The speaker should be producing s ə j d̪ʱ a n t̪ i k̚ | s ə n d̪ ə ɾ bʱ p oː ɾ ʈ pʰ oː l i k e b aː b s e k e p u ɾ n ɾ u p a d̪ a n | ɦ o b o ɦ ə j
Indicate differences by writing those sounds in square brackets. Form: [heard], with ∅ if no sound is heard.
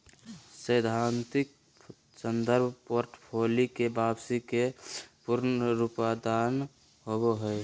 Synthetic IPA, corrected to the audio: s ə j d̪ʱ a n t̪ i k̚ | s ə n d̪ ə ɾ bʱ p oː ɾ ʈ pʰ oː l i k e b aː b s [i] k e p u ɾ n ɾ u p a d̪ a n | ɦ o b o ɦ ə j